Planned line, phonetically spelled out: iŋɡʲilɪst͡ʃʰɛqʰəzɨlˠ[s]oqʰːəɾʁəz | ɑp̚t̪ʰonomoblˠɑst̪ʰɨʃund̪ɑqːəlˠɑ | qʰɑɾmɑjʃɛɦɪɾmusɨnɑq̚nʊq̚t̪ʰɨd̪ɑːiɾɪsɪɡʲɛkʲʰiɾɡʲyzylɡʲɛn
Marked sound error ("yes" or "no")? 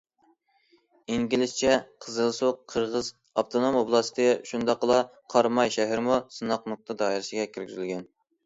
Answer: no